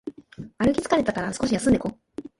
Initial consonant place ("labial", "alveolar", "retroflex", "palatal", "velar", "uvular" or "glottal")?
alveolar